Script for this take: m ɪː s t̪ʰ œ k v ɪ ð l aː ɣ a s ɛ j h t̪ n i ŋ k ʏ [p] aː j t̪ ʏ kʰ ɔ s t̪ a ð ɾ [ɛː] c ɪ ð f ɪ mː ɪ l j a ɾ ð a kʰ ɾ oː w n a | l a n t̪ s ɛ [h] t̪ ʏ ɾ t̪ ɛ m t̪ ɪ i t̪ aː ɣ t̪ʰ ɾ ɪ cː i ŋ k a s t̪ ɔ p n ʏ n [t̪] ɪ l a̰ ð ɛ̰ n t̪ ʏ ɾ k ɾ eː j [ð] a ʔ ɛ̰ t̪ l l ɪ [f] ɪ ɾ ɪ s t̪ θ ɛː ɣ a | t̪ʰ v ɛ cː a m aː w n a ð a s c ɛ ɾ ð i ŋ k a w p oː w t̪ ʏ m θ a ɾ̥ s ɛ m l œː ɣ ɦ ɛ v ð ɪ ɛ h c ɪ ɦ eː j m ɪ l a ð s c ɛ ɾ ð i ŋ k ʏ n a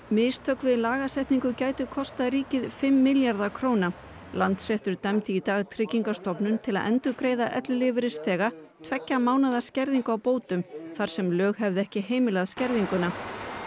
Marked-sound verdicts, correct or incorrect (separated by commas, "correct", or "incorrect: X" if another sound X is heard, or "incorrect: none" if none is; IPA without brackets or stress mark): incorrect: c, incorrect: iː, correct, incorrect: t̪ʰ, correct, incorrect: v